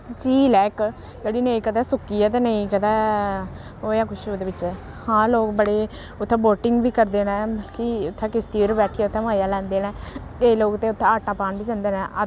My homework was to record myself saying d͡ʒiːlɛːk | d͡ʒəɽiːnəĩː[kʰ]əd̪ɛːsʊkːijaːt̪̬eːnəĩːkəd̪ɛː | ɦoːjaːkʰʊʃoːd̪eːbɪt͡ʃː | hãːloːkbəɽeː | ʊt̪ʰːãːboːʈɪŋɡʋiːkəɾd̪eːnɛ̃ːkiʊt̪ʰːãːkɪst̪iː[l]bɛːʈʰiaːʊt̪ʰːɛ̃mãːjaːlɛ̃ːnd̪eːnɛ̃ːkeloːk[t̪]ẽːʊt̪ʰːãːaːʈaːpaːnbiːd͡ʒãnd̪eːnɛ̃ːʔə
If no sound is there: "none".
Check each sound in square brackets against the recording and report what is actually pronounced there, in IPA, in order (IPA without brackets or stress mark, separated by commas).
k, ɾ, t̪